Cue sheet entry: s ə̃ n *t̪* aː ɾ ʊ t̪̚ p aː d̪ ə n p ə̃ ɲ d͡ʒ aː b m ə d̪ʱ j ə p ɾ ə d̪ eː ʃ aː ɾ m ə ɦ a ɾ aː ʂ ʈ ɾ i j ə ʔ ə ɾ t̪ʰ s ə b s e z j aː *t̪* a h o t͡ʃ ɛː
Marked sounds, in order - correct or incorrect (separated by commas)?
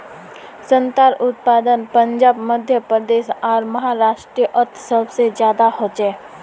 correct, incorrect